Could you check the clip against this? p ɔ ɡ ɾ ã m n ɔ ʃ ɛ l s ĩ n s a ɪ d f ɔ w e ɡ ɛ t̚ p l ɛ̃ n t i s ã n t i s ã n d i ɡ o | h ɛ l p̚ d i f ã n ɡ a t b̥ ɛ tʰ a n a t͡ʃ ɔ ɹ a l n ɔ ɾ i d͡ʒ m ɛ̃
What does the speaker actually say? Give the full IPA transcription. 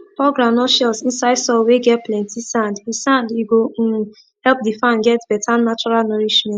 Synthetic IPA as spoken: p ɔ ɡ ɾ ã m n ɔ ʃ ɛ l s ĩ n s a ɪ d s ɔ w e ɡ ɛ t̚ p l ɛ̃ n t i s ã n d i s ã n d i ɡ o | h ɛ l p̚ d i f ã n ɡ ɛ t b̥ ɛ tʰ a n a t͡ʃ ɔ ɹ a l n ɔ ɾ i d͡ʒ m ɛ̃

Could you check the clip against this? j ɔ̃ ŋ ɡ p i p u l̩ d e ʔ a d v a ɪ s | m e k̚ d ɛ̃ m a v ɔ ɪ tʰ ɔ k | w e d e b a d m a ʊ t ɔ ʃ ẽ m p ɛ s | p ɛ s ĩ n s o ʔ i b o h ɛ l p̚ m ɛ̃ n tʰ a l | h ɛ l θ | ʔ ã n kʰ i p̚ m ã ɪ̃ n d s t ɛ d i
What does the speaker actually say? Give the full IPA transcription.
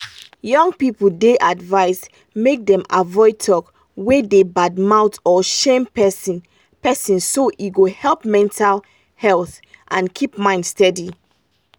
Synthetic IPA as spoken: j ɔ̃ ŋ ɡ p i p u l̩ d e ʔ a d v a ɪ s | m e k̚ d ɛ̃ m a v ɔ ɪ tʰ ɔ k | w e d e b a d m a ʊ t ɔ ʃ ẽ m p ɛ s | p ɛ s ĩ n s o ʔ i ɡ o h ɛ l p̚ m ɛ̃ n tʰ a l | h ɛ l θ | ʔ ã n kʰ i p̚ m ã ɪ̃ n d s t ɛ d i

